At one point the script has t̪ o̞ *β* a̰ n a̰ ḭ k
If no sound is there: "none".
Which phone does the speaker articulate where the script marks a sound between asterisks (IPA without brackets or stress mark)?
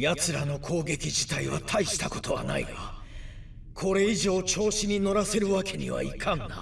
β